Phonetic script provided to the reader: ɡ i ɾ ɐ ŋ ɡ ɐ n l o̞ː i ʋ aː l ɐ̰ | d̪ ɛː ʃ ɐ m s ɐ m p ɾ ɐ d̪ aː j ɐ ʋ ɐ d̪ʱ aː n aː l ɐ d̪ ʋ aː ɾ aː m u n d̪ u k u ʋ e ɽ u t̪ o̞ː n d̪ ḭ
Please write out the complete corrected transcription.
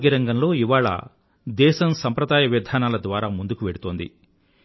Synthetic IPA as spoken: ɡ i ɾ ɐ ŋ ɡ ɐ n l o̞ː i ʋ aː ɭ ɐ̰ | d̪ ɛː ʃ ɐ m s ɐ m p ɾ ɐ d̪ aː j ɐ ʋ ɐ d̪ʱ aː n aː l ɐ d̪ ʋ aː ɾ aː m u n d̪ u k u ʋ e ɽ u t̪ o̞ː n d̪ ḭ